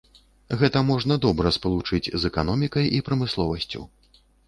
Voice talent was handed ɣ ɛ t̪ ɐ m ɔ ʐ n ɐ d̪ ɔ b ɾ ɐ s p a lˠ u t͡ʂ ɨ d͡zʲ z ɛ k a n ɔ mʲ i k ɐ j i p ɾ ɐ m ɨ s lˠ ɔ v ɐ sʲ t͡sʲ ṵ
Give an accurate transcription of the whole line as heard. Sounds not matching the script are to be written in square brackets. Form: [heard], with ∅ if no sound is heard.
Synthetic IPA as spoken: ɣ ɛ t̪ ɐ m ɔ ʐ n ɐ d̪ ɔ b ɾ ɐ s p [ɐ] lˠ u t͡ʂ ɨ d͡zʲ z ɛ k a n ɔ mʲ i k ɐ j i p ɾ ɐ m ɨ s lˠ ɔ v ɐ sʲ t͡sʲ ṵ